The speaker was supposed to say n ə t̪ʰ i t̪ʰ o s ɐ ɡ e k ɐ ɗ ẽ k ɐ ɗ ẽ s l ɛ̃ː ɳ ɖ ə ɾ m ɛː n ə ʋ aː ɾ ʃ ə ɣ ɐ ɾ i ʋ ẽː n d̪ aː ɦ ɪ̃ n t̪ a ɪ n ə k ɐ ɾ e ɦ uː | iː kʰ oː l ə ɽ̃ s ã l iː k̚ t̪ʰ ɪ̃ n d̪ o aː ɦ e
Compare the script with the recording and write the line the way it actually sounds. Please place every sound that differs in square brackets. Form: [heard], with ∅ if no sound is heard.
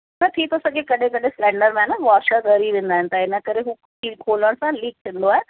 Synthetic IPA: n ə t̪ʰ i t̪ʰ o s ɐ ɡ e k ɐ ɗ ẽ k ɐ ɗ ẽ s l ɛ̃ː ɳ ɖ ə ɾ m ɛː n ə ʋ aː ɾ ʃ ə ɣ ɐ ɾ i ʋ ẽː n d̪ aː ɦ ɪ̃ n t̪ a ɪ n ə k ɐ ɾ e ɦ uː | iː kʰ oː l ə ɽ̃ s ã l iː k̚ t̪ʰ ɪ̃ n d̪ o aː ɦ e